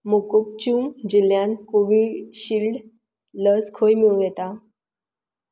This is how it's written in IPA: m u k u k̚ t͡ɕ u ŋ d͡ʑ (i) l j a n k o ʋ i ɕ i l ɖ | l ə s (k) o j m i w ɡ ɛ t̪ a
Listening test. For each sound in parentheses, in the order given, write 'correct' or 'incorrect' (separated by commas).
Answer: correct, incorrect